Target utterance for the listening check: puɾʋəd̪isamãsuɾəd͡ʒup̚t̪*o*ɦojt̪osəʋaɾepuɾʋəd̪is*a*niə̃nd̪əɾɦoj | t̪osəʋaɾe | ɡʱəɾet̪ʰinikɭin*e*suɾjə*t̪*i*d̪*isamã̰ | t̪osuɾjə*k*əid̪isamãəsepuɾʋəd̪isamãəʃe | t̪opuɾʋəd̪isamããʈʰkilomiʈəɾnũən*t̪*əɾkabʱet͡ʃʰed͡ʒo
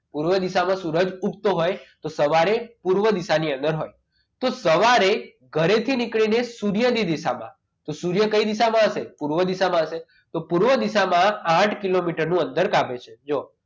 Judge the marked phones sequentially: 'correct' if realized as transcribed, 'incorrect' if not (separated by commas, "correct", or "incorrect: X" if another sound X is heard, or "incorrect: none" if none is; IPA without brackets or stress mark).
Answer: correct, correct, correct, incorrect: d̪, correct, correct, incorrect: d̪